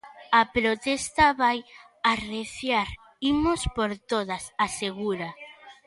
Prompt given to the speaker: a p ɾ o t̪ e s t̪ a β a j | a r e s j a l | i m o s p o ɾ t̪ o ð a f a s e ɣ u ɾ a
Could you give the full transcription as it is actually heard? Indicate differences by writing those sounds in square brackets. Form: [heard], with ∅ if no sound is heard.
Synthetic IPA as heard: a p ɾ o t̪ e s t̪ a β a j | a r e [θ] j a [ɾ] | i m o s p o ɾ t̪ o ð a [s] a s e ɣ u ɾ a